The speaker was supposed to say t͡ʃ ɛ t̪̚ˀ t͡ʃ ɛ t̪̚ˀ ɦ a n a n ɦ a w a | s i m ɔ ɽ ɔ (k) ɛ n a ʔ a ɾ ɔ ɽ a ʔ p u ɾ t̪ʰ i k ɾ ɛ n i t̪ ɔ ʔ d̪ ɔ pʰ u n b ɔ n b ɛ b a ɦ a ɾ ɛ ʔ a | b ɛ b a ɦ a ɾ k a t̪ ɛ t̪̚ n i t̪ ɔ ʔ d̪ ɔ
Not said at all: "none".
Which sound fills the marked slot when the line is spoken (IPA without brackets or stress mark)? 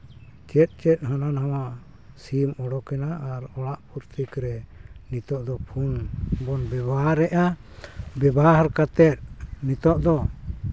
k